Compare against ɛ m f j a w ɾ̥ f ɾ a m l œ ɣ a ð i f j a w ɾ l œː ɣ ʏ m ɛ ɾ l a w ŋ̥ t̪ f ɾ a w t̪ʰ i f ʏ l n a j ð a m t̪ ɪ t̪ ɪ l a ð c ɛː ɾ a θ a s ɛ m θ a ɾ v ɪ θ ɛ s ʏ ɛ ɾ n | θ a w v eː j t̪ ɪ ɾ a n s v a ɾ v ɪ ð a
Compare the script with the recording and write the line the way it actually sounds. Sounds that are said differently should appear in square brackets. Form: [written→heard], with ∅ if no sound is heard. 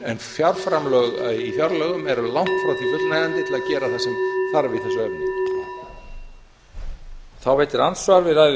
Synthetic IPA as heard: ɛ [m→n] f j a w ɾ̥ f ɾ a m l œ ɣ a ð i f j a w ɾ l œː ɣ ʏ m ɛ ɾ l a w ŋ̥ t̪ f ɾ a w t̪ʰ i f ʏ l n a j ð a [m→n] t̪ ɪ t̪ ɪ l a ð c ɛː ɾ a θ a s ɛ m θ a ɾ v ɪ θ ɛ s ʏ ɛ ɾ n | θ a w v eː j t̪ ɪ ɾ a n s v a ɾ v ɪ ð a